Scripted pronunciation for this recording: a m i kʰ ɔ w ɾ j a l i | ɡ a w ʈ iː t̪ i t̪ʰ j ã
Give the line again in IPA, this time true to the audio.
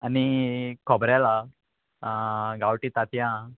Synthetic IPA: a n i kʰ ɔ b ɾ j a l a | ɡ a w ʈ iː t̪ a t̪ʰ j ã